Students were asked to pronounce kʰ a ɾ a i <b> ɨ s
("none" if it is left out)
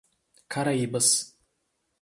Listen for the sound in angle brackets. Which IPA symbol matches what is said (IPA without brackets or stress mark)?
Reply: b